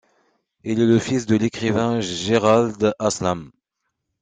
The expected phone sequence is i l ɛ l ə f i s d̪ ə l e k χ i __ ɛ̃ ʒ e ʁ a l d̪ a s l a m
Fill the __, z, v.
v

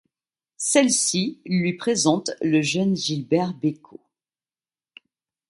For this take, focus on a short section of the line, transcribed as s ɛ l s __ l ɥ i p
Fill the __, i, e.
i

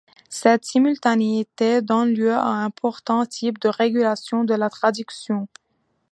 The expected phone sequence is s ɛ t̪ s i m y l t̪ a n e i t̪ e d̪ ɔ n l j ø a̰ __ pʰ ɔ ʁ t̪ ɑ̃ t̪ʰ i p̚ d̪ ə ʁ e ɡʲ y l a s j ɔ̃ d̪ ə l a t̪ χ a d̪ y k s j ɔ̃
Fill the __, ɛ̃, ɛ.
ɛ̃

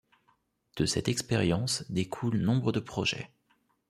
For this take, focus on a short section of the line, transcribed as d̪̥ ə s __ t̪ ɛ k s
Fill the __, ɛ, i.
ɛ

